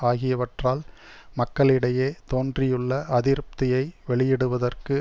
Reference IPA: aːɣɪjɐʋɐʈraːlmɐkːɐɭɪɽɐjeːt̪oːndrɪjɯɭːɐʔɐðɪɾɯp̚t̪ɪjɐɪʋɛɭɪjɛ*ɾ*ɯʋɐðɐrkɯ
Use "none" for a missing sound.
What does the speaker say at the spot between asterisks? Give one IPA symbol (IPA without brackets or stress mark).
ɽ